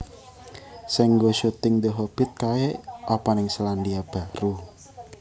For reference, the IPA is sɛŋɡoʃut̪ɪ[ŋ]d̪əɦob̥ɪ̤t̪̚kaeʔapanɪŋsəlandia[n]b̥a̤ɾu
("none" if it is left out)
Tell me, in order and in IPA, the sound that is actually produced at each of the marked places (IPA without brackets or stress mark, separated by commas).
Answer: ŋ, none